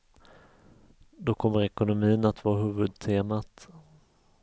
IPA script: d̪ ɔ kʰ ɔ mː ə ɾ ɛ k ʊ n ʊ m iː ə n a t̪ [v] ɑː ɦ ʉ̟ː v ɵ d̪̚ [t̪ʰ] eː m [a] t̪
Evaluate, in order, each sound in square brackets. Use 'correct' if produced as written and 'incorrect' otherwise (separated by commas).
correct, correct, correct